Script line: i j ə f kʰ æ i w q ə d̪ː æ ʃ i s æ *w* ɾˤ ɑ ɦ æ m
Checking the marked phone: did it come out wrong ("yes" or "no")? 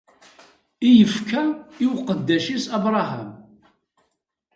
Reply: yes